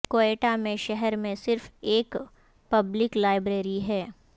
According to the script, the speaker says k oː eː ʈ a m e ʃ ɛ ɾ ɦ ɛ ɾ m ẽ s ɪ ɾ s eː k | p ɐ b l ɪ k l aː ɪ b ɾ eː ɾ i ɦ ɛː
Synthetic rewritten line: k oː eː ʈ a m ẽ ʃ ɛ ɦ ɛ ɾ m ẽ s ɪ ɾ f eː k | p ɐ b l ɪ k l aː ɪ b ɾ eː ɾ i ɦ ɛː